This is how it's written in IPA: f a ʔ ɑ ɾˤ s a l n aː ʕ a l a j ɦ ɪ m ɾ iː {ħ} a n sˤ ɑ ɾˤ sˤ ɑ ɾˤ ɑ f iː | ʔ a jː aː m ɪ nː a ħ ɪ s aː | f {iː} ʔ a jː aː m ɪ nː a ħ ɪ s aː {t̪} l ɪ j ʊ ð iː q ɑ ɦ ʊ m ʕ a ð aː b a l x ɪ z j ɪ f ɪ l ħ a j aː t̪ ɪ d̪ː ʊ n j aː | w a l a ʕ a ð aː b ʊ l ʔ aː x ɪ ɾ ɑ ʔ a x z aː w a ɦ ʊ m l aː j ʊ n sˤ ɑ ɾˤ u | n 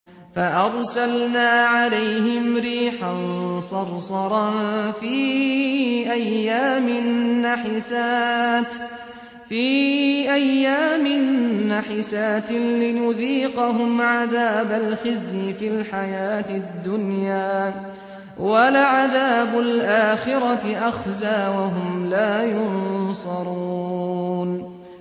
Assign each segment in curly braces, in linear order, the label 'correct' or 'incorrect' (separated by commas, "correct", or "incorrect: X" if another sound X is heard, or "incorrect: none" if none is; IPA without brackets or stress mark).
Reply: correct, correct, correct